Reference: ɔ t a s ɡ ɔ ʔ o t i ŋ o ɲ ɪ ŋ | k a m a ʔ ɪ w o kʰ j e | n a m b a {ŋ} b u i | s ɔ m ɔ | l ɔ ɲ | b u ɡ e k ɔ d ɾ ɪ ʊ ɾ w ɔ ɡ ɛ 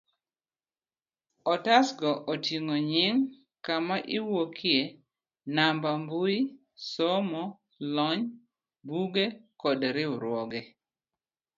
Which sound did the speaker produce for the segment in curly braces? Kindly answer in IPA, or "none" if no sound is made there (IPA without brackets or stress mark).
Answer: m